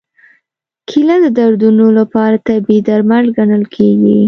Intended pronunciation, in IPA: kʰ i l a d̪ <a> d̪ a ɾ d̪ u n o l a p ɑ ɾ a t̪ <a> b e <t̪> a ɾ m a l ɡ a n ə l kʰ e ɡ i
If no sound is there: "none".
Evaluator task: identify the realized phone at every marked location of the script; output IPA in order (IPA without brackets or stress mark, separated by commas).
ə, a, d̪